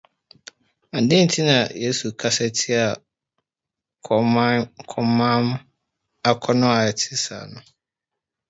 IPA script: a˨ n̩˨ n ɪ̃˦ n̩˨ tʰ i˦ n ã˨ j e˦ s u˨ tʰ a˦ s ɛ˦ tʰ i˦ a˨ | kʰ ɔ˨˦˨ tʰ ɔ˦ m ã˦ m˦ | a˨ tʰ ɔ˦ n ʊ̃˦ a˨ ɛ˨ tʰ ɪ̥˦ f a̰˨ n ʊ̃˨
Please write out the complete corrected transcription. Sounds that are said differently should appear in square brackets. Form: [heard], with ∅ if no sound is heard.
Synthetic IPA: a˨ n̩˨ [d] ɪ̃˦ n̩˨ tʰ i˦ n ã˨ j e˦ s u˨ [kʰ] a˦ s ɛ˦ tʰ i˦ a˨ | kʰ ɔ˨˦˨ [kʰ] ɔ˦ m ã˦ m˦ | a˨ [kʰ] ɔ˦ n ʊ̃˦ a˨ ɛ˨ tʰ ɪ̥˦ [s] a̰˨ n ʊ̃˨